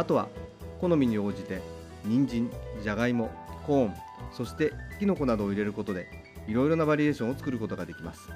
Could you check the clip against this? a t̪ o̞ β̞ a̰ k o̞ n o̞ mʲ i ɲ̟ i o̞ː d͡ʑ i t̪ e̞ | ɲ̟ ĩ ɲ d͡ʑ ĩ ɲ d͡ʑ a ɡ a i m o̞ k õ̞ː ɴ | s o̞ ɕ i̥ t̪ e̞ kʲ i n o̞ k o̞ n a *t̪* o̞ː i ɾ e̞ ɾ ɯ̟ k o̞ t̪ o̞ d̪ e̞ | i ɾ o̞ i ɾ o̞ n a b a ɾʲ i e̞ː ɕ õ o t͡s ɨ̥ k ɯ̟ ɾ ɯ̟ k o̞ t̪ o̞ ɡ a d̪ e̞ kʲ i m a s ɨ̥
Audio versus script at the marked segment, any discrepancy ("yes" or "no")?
yes